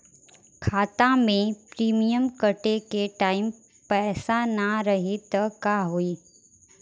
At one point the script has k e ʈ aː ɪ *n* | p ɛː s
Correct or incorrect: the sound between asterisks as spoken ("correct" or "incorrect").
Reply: incorrect